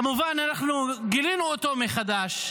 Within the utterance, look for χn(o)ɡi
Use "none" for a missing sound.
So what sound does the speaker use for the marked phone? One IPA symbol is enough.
u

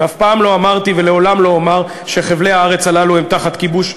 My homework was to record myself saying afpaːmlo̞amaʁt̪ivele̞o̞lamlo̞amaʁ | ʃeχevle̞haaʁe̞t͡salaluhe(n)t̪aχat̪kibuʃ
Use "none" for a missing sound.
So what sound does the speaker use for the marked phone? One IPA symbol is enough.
m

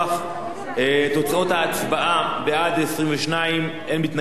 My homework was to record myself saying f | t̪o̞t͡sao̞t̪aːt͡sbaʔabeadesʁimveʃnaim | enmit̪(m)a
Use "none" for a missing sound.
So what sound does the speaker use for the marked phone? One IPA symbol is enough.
n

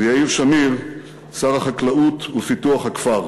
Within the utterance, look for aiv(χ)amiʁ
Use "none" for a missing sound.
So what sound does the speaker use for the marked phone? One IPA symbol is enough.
ʃ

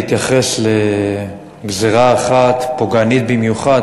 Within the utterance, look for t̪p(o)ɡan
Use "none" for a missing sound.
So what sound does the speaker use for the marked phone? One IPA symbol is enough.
o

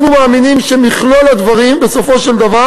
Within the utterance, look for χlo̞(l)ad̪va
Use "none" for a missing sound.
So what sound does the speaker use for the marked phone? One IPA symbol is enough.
l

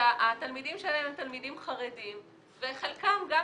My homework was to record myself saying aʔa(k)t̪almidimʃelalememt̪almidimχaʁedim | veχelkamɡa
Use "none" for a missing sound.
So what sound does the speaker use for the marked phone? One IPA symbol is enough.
none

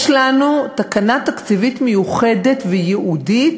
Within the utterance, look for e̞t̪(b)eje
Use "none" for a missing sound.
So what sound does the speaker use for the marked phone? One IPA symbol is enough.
v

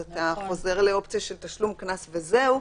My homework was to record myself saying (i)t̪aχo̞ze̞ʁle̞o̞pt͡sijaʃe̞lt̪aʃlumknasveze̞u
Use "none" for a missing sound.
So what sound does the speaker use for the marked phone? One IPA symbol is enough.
a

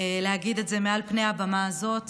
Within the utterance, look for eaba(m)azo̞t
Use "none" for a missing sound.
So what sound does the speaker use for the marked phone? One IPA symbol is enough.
m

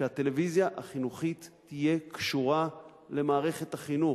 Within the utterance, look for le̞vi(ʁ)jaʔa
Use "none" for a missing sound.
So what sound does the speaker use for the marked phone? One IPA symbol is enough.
z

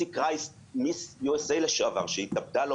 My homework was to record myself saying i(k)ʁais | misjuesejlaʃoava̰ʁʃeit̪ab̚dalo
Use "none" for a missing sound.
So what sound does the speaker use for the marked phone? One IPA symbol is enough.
k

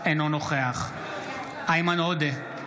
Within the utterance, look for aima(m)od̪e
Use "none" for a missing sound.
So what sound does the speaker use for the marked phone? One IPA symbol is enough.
n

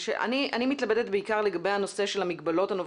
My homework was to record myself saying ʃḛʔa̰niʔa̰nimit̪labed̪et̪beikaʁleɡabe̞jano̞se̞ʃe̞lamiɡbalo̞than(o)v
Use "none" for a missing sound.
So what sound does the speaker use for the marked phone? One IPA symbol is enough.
o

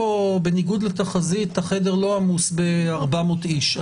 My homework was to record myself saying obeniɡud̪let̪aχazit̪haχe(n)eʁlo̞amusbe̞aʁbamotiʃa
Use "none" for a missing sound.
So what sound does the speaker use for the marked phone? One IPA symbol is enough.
d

